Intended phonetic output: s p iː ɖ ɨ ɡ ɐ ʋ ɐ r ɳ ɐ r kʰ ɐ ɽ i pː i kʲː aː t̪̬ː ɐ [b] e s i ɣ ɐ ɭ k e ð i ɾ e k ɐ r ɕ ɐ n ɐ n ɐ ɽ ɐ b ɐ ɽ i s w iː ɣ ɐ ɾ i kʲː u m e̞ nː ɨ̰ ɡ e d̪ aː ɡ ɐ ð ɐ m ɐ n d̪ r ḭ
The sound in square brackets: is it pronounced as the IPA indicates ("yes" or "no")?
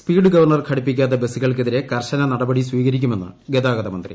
yes